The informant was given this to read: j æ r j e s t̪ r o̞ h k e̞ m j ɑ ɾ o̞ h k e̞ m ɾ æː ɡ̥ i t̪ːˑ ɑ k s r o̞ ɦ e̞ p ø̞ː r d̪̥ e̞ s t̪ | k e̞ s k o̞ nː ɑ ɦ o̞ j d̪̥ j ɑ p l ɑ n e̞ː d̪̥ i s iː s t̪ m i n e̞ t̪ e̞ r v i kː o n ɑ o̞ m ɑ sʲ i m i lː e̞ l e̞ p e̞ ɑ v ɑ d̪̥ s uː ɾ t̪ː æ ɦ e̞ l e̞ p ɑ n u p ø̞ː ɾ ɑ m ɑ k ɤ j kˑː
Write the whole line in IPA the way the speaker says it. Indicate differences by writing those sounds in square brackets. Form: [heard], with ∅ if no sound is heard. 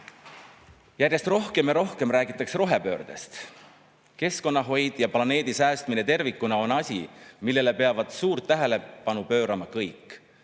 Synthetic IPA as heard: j æ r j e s t̪ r o̞ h k e̞ m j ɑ ɾ o̞ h k e̞ m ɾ æː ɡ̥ i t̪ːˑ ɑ k s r o̞ ɦ e̞ p ø̞ː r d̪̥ e̞ s t̪ | k e̞ s k o̞ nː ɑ ɦ o̞ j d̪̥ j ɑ p l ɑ n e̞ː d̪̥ i s [æː] s t̪ m i n e̞ t̪ e̞ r v i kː [u] n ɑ o̞ [n] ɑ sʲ i m i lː e̞ l e̞ p e̞ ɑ v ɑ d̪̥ s uː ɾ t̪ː æ ɦ e̞ l e̞ p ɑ n u p ø̞ː ɾ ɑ m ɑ k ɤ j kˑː

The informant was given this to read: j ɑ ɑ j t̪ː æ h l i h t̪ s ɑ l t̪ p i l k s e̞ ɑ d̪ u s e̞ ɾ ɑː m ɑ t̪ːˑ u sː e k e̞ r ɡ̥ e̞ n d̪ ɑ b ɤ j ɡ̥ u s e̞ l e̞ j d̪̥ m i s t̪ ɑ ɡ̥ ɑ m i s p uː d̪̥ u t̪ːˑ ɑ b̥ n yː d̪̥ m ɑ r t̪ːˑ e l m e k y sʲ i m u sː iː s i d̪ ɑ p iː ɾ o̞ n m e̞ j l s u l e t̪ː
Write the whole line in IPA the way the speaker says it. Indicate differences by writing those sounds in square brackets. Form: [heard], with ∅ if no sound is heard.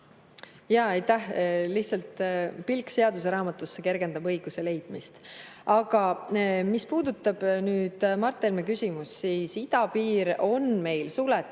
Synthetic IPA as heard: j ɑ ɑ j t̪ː æ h l i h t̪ s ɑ l t̪ p i l k s e̞ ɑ d̪ u s e̞ ɾ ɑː m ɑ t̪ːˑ u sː e k e̞ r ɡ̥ e̞ n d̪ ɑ b ɤ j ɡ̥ u s e̞ l e̞ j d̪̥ m i s t̪ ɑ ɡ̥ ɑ m i s p uː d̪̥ u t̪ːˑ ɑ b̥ n yː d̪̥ m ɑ r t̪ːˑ e l m e k y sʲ i m u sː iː s i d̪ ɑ p iː ɾ o̞ n m e̞ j l s u l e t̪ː

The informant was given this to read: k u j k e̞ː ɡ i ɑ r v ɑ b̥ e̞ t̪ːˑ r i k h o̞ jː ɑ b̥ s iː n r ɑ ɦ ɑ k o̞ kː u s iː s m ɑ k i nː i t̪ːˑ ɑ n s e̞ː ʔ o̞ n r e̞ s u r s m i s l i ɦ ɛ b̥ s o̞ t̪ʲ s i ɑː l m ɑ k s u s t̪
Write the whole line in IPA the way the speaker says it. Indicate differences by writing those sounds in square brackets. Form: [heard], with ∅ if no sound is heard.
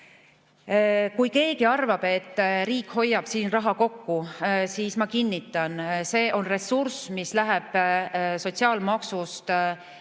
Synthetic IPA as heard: k u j k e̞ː ɡ i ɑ r v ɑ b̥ e̞ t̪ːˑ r [iː] k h o̞ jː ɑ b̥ s iː n r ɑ ɦ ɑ k o̞ kː u s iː s m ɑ k i nː i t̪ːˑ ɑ n s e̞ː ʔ o̞ n r e̞ s u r s m i s l [æ] ɦ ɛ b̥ s o̞ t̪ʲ s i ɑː l m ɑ k s u s t̪

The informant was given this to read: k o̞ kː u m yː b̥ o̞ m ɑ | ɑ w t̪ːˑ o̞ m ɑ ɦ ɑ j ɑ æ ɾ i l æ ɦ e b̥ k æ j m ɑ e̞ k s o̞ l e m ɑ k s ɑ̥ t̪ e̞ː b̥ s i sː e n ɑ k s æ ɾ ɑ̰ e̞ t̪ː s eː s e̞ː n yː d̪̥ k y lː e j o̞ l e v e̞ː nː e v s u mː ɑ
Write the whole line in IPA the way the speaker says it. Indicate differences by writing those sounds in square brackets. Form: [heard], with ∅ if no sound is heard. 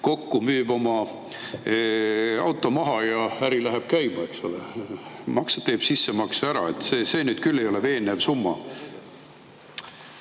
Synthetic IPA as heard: k o̞ kː u m yː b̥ o̞ m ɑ | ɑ w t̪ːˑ o̞ m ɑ ɦ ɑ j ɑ æ ɾ i l æ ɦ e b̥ k æ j m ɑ e̞ k s o̞ l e m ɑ k s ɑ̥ t̪ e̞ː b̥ s i sː e [m] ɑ k s æ ɾ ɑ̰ e̞ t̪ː s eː s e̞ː n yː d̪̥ k y lː e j o̞ l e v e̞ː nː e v s u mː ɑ

